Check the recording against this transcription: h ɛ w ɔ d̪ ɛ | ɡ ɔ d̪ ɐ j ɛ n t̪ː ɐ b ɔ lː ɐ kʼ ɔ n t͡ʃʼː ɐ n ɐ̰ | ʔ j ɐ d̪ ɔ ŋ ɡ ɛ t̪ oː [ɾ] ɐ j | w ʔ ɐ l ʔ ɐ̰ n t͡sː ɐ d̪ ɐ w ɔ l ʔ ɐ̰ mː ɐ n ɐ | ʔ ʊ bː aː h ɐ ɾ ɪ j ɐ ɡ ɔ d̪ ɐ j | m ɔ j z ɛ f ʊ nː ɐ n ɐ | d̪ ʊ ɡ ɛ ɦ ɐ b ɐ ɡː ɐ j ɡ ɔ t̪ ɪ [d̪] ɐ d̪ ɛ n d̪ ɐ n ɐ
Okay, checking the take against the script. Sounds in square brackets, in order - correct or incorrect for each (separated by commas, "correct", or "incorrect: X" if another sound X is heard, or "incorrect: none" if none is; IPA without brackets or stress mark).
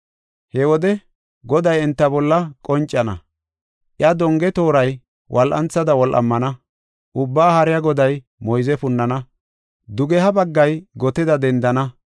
correct, correct